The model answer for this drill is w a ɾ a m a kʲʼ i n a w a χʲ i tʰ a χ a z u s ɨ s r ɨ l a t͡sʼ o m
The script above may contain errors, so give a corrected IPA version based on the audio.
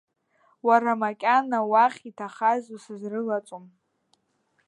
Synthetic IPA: w a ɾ a m a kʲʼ a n a w a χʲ i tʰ a χ a z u s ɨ z r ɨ l a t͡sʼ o m